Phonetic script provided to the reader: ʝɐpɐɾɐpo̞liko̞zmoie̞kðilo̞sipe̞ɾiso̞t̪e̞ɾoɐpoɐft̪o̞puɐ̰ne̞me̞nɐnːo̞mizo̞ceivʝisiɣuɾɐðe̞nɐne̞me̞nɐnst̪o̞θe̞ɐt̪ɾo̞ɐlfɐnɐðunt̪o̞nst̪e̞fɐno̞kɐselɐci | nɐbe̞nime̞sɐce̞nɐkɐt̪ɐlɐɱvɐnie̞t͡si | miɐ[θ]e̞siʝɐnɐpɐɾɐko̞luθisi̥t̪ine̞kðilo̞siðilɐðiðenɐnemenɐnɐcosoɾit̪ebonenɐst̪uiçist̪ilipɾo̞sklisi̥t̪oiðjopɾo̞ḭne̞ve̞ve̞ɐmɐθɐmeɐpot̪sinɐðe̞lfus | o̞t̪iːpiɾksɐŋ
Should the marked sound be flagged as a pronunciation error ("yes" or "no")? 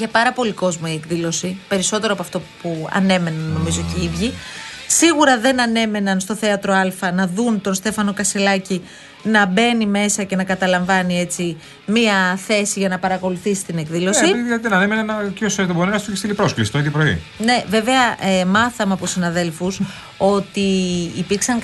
no